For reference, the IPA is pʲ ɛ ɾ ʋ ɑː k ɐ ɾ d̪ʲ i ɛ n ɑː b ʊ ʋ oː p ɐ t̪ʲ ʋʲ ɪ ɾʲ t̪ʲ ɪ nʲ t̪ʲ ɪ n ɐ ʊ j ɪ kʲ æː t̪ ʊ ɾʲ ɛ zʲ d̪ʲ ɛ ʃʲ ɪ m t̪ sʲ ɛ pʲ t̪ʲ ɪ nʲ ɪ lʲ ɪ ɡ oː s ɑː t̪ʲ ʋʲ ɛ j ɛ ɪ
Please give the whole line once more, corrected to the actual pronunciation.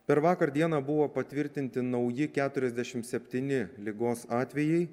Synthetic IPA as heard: pʲ ɛ ɾ ʋ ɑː k ɐ ɾ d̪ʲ i ɛ n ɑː b ʊ ʋ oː p ɐ t̪ʲ ʋʲ ɪ ɾʲ t̪ʲ ɪ nʲ t̪ʲ ɪ n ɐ ʊ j ɪ kʲ æː t̪ ʊ ɾʲ ɛ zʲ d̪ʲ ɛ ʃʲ ɪ m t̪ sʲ ɛ pʲ t̪ʲ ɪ nʲ ɪ lʲ ɪ ɡ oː s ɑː t̪ʲ ʋʲ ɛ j ɛ ɪ